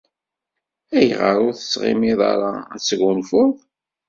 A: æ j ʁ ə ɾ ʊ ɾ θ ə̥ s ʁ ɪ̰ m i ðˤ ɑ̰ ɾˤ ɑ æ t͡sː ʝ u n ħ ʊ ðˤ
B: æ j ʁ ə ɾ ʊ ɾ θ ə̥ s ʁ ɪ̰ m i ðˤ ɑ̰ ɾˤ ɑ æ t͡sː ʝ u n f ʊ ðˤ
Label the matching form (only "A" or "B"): B